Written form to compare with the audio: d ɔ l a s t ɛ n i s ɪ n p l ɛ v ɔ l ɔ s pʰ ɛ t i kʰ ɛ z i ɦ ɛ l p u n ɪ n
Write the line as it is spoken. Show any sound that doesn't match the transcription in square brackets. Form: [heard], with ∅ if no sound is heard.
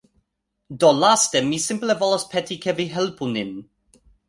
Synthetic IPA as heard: d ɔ l a s t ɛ [m] i s ɪ [m] p l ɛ v ɔ l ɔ s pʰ ɛ t i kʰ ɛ [v] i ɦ ɛ l p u n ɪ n